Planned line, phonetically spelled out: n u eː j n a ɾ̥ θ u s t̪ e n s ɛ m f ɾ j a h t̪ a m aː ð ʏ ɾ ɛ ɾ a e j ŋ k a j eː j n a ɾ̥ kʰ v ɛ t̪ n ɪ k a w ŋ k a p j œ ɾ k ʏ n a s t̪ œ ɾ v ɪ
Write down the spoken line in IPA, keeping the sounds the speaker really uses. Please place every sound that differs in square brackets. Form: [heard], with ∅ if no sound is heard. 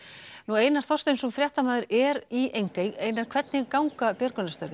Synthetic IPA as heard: n u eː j n a ɾ̥ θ [ɔ] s t̪ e n s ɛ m f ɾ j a h t̪ a m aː ð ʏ ɾ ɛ ɾ [i] e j ŋ k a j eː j n a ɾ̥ kʰ v ɛ t̪ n ɪ k a w ŋ k a p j œ ɾ k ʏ n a s t̪ œ ɾ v ɪ